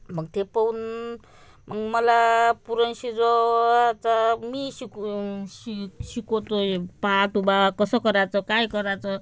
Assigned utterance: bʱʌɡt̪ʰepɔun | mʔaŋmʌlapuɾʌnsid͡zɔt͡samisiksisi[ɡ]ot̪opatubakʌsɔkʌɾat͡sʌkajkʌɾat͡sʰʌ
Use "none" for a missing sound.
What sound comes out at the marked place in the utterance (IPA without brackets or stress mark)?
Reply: k